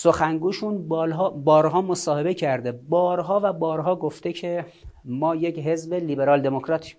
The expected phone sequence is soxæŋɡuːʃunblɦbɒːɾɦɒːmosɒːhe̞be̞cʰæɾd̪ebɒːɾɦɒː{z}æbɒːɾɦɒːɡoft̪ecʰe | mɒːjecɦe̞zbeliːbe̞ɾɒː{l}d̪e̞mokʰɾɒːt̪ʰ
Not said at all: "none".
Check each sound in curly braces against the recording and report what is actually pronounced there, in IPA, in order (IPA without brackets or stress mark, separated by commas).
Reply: v, l